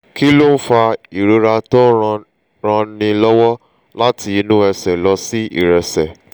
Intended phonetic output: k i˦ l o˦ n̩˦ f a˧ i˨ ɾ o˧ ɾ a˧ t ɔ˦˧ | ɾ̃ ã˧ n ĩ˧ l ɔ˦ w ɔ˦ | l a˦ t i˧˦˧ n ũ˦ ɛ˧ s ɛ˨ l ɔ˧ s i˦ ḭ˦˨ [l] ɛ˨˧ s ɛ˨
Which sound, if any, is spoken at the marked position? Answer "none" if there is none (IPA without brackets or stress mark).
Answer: ɾ